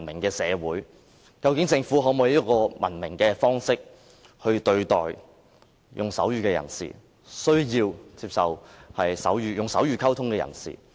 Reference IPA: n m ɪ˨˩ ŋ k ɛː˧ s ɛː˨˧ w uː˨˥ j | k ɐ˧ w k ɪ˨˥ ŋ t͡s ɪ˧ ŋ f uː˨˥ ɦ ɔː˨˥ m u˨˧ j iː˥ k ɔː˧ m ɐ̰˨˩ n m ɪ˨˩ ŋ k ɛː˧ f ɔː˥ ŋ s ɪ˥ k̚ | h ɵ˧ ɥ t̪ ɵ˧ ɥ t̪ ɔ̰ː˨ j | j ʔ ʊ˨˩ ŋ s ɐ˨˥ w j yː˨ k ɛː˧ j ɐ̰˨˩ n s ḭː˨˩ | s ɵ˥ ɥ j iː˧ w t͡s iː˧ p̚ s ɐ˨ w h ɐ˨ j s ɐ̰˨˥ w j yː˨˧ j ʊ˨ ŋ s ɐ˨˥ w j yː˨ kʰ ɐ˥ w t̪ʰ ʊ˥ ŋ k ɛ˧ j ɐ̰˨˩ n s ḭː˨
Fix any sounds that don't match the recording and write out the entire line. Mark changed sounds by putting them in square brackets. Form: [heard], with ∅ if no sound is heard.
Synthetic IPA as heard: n m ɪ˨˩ ŋ k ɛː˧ s ɛː˨˧ w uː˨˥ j | k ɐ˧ w k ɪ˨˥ ŋ t͡s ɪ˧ ŋ f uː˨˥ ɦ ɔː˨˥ m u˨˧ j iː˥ k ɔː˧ m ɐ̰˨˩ n m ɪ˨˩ ŋ k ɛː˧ f ɔː˥ ŋ s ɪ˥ k̚ | h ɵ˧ ɥ t̪ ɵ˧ ɥ t̪ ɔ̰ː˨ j | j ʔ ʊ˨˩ ŋ s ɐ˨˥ w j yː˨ k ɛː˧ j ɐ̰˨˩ n s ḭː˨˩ | s ɵ˥ ɥ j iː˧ w t͡s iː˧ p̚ s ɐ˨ w h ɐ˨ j s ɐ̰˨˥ w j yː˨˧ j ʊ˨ ŋ s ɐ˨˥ w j yː˨ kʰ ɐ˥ w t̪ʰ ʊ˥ ŋ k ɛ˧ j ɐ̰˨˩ n s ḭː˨